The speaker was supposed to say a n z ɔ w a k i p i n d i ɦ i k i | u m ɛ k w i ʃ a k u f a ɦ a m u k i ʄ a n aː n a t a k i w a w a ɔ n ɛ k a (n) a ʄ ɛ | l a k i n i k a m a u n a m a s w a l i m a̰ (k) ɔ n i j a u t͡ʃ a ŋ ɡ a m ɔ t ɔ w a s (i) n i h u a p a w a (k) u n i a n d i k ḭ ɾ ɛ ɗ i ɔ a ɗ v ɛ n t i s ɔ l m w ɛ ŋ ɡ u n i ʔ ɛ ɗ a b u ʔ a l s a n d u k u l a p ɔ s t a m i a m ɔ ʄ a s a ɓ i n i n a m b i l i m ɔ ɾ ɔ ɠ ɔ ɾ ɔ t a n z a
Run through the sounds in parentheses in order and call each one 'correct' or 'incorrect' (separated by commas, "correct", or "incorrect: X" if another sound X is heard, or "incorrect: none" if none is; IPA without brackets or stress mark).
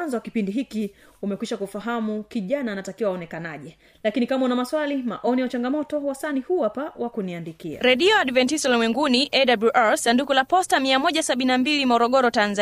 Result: correct, incorrect: ʔ, incorrect: a, correct